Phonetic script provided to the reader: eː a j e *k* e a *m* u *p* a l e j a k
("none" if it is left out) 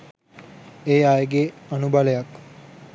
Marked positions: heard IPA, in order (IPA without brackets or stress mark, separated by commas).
ɡ, n, b